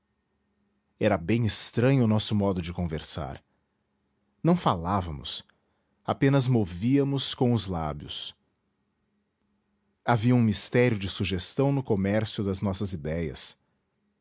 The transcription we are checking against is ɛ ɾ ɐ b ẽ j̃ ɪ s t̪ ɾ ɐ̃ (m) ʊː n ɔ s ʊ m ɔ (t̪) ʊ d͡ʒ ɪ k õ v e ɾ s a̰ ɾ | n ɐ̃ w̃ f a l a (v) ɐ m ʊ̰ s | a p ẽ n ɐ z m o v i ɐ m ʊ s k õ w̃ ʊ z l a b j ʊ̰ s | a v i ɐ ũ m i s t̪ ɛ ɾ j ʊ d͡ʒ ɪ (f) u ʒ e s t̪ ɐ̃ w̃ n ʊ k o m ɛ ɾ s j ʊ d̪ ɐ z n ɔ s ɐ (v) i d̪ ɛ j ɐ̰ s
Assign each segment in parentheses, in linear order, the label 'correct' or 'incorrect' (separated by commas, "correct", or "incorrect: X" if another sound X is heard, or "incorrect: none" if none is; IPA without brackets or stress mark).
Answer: incorrect: ɲ, incorrect: d̪, correct, incorrect: s, incorrect: z